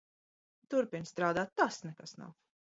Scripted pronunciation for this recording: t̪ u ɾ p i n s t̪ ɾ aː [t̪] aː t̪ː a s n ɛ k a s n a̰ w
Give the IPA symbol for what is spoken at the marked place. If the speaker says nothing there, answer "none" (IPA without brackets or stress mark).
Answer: d̪